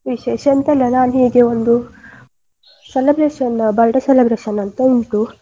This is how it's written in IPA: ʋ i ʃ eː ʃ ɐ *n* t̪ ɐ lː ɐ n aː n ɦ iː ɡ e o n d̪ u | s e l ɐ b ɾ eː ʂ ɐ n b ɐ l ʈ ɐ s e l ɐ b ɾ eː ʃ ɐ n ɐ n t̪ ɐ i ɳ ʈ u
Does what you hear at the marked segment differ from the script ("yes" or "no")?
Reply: no